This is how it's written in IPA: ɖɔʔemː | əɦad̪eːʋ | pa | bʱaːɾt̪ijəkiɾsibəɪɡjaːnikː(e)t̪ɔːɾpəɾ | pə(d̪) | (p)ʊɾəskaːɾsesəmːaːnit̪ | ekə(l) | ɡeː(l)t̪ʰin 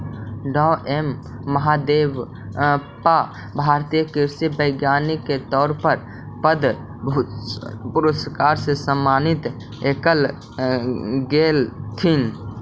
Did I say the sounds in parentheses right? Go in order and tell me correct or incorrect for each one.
correct, correct, correct, correct, correct

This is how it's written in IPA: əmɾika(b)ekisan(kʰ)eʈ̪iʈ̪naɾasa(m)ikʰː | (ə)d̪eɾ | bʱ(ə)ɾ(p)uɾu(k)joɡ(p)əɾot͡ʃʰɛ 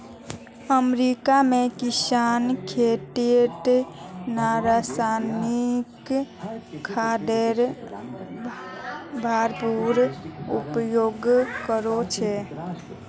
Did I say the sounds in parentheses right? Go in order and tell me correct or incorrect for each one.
incorrect: m, correct, incorrect: n, incorrect: a, incorrect: a, correct, incorrect: p, incorrect: k

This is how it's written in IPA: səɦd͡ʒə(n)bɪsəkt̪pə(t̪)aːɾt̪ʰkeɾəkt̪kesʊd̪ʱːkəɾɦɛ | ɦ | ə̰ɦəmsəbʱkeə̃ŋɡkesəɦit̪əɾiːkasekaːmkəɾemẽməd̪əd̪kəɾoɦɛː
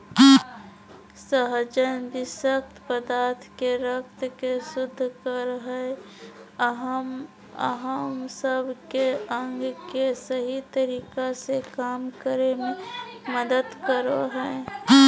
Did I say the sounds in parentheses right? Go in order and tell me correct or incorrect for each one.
correct, incorrect: d̪

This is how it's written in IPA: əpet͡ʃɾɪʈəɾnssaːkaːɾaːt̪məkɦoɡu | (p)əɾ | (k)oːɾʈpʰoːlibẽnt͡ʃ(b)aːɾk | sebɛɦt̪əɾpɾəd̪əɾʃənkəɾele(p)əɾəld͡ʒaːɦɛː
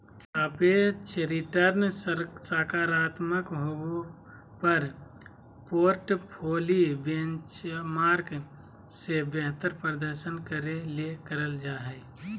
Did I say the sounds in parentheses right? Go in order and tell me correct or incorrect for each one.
correct, incorrect: p, incorrect: m, incorrect: k

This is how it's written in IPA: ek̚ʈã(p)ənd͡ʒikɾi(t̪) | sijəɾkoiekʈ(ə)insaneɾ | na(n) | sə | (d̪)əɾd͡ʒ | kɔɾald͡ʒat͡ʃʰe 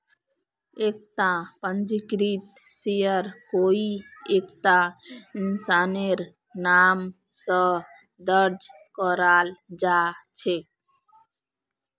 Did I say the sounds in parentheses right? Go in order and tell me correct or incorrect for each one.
correct, correct, incorrect: a, incorrect: m, correct

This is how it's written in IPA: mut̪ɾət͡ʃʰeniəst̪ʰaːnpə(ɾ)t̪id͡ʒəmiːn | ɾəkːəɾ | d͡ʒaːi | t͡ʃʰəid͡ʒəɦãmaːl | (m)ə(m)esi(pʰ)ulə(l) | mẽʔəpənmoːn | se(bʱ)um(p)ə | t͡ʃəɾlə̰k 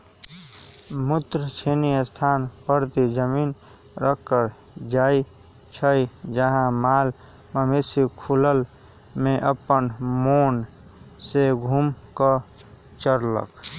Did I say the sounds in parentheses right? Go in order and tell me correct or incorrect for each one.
correct, correct, correct, incorrect: kʰ, correct, incorrect: ɡʱ, incorrect: k

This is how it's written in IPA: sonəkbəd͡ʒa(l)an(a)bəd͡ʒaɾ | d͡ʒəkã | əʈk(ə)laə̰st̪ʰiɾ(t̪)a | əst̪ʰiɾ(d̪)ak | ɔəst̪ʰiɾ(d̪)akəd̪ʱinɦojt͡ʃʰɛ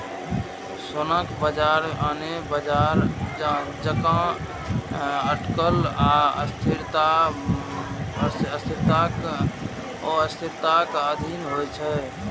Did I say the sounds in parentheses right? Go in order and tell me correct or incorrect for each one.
incorrect: ɾ, incorrect: e, correct, correct, incorrect: t̪, incorrect: t̪

